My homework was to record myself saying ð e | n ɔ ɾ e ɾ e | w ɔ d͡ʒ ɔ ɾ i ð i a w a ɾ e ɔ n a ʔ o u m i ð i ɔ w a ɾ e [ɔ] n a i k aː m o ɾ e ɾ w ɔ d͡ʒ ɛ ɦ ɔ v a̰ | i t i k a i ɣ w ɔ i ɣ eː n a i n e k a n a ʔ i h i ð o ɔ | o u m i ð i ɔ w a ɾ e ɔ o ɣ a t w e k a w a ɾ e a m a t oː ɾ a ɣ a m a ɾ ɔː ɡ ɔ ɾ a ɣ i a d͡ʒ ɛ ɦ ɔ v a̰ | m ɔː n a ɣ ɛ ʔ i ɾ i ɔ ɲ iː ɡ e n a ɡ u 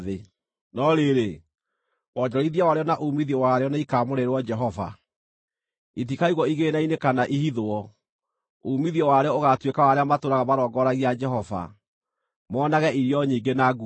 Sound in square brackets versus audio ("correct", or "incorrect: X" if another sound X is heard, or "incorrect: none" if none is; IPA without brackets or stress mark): correct